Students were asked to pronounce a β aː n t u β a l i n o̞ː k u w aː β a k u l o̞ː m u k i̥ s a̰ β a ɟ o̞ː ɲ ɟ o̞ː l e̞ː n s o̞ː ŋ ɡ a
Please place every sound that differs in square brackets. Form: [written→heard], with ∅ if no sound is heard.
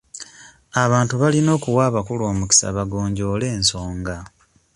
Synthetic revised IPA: a β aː n t u β a l i n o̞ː k u w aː β a k u l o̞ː m u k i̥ s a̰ β a [ɟ→ɡ] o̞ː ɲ ɟ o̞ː l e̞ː n s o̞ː ŋ ɡ a